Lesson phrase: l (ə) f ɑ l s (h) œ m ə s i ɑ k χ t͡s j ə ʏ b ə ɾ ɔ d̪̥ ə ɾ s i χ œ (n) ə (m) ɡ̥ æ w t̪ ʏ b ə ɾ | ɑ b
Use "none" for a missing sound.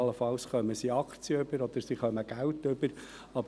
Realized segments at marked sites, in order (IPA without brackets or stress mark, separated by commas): ə, χ, m, none